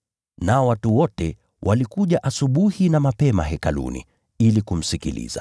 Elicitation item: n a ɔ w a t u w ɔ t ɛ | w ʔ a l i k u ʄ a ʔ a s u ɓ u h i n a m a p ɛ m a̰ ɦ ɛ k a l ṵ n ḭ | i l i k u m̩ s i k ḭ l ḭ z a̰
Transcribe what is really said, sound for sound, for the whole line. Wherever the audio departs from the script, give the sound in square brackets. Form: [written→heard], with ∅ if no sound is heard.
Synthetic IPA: n a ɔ w a t u w ɔ t ɛ | w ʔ a l i k u ʄ a ʔ a s u ɓ u h i n a m a p ɛ m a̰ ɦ ɛ k a l ṵ n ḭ | i l i k u m̩ s i k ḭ l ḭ z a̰

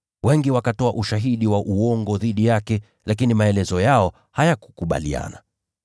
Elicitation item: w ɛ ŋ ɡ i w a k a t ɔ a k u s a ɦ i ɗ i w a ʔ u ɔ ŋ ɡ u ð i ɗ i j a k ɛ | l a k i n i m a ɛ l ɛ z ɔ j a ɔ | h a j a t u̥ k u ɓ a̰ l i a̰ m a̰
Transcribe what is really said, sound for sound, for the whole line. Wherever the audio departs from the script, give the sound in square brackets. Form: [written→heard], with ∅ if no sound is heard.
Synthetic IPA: w ɛ ŋ ɡ i w a k a t ɔ a [k→ʔ] u [s→ʃ] a ɦ i ɗ i w a ʔ u ɔ ŋ ɡ [u→ɔ] ð i ɗ i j a k ɛ | l a k i n i m a ɛ l ɛ z ɔ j a ɔ | h a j a [t→k] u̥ k u ɓ a̰ l i a̰ [m→n] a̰

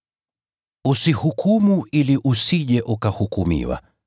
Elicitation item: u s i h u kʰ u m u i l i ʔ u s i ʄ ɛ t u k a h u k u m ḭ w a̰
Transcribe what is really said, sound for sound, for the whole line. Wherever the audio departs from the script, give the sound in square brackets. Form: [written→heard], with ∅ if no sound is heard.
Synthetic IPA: u s i h u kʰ u m u i l i ʔ u s i ʄ ɛ [t→ʔ] u k a h u k u m ḭ w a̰

